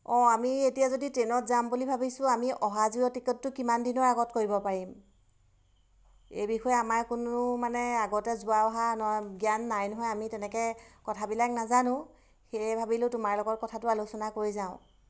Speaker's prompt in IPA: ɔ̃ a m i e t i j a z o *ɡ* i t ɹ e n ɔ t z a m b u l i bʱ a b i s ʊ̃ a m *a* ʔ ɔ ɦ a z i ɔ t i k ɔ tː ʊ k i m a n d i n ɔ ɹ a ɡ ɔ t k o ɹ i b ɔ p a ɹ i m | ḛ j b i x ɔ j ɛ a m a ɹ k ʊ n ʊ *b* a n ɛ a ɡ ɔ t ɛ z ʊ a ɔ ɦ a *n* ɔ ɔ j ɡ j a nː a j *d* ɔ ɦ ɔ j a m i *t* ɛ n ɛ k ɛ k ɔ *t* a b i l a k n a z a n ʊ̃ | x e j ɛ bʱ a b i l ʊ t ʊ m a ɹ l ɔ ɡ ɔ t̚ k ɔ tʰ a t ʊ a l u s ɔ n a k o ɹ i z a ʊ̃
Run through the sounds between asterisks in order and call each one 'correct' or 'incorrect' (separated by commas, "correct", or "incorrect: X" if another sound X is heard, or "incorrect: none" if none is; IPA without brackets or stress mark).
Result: incorrect: d, incorrect: i, incorrect: m, correct, incorrect: n, correct, incorrect: tʰ